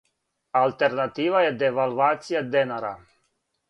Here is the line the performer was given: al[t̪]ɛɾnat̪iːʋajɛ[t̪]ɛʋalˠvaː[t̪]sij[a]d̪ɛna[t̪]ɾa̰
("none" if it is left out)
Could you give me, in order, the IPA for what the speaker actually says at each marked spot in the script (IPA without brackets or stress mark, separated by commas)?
t̪, d̪, t̪, a, none